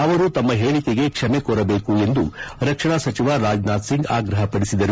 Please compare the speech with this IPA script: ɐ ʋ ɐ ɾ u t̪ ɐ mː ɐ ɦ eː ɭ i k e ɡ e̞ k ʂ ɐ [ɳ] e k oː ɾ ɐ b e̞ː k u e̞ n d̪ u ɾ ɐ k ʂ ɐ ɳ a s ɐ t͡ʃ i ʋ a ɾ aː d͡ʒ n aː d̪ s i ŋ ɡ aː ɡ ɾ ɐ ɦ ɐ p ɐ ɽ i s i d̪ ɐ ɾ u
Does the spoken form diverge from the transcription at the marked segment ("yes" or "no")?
yes